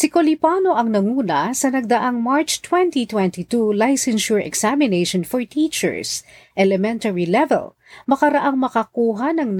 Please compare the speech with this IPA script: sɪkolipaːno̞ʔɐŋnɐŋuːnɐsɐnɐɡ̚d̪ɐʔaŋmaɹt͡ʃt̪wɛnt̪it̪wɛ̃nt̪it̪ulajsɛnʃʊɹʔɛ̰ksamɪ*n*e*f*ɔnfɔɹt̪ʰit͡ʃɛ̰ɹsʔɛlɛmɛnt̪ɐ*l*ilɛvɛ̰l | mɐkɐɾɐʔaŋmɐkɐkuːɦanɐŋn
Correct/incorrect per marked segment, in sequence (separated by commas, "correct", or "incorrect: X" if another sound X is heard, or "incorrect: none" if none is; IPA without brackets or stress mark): correct, incorrect: ʃ, incorrect: ɹ